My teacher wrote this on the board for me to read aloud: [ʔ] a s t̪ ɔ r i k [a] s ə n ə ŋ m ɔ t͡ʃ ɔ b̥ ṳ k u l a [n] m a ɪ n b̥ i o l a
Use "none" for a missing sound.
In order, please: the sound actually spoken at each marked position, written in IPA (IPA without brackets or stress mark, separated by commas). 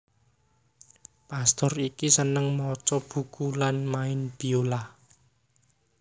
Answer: p, i, n